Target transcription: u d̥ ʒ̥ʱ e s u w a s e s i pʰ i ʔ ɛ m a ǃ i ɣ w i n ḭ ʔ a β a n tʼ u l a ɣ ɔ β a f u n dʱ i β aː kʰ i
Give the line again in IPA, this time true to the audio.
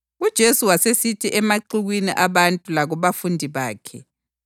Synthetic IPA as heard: u d̥ ʒ̥ʱ e s u w a s e s i tʰ i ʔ ɛ m a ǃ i ɣ w i n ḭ ʔ a β a n tʼ u l a ɣ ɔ β a f u n dʱ i β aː kʰ ɛ